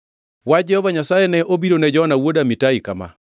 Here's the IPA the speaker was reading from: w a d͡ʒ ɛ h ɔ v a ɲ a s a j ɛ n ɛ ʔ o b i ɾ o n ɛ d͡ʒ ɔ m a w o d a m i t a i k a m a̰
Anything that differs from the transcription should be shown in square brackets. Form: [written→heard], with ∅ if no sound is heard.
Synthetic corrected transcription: w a d͡ʒ ɛ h ɔ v a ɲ a s a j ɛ n ɛ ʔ o b i ɾ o n ɛ d͡ʒ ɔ [m→n] a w o d a m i t a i k a m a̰